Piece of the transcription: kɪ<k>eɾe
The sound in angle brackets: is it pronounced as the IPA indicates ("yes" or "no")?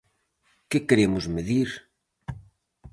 yes